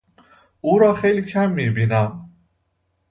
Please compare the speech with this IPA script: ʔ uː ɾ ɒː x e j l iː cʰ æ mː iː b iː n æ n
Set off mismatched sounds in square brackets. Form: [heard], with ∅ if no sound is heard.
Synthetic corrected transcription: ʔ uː ɾ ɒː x e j l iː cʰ æ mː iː b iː n æ [m]

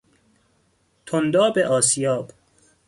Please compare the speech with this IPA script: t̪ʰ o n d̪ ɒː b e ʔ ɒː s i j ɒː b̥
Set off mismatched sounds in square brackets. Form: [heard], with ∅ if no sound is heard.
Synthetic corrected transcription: t̪ʰ o n d̪ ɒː b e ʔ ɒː s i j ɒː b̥

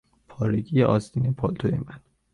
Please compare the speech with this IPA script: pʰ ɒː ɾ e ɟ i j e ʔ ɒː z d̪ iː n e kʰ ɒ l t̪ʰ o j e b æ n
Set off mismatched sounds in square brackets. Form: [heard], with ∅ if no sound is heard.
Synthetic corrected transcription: pʰ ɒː ɾ e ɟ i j e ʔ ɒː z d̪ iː n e [pʰ] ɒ l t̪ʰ o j e [m] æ n

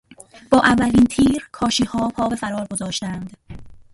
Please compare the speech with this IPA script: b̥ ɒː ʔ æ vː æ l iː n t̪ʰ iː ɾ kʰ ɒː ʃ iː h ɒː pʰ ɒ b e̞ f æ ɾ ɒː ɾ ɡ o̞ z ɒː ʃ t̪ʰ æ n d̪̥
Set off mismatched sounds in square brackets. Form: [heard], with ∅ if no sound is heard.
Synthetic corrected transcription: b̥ ɒː ʔ æ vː æ l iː n t̪ʰ iː ɾ kʰ ɒː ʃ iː h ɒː pʰ [ɒː] b e̞ f æ ɾ ɒː ɾ ɡ o̞ z ɒː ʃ [t̪] æ n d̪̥

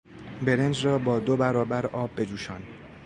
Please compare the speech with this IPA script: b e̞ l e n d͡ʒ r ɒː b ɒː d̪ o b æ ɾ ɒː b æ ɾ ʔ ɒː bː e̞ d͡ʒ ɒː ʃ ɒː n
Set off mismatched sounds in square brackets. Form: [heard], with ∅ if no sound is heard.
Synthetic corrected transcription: b e̞ [ɾ] e n d͡ʒ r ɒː b ɒː d̪ o b æ ɾ ɒː b æ ɾ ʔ ɒː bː e̞ d͡ʒ [uː] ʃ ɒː n

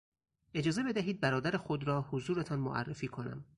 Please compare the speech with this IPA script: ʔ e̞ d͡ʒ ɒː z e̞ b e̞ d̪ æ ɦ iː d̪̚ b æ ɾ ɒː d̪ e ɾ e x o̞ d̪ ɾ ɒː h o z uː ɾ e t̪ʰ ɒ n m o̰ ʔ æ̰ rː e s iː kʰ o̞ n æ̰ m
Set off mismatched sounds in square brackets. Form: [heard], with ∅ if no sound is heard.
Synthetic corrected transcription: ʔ e̞ d͡ʒ ɒː z e̞ b e̞ d̪ æ ɦ iː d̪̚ b æ ɾ ɒː d̪ [æ] ɾ e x o̞ d̪ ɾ ɒː h o z uː ɾ e t̪ʰ ɒ n m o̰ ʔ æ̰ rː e [f] iː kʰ o̞ n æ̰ m

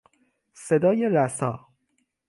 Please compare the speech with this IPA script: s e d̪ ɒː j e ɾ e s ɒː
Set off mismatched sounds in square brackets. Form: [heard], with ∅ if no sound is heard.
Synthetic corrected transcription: s e d̪ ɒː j e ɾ [æ] s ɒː

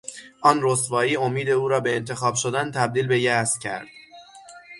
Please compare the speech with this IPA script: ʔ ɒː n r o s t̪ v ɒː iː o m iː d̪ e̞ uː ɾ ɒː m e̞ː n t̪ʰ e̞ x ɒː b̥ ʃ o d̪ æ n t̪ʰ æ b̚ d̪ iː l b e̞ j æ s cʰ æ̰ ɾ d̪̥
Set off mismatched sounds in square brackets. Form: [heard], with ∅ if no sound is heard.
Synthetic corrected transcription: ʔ ɒː n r o s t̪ v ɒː iː o m iː d̪ e̞ uː ɾ ɒː [b] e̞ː n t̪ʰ e̞ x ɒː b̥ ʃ o d̪ æ n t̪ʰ æ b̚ d̪ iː l b e̞ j æ s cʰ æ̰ ɾ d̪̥

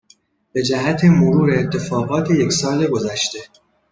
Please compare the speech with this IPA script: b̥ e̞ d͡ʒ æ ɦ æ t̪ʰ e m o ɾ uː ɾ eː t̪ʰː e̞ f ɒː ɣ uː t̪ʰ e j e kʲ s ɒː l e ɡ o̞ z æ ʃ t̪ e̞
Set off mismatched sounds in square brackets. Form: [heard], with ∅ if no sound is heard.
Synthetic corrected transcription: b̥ e̞ d͡ʒ æ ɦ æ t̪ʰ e m o ɾ uː ɾ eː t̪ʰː e̞ f ɒː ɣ [ɒː] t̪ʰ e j e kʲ s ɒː l e ɡ o̞ z æ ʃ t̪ e̞

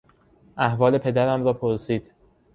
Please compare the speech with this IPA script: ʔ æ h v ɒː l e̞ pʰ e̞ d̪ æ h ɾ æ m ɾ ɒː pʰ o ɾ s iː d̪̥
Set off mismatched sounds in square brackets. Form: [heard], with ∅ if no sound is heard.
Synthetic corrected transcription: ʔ æ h v ɒː l e̞ pʰ e̞ d̪ æ [∅] ɾ æ m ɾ ɒː pʰ o ɾ s iː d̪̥

